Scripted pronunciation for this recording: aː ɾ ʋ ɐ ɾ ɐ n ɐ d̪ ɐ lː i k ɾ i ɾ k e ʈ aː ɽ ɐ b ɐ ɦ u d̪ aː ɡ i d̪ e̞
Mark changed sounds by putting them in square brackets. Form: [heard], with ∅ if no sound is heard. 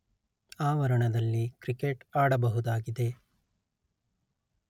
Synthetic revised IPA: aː [∅] ʋ ɐ ɾ ɐ [ɳ] ɐ d̪ ɐ lː i k ɾ i [∅] k e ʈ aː ɽ ɐ b ɐ ɦ u d̪ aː ɡ i d̪ e̞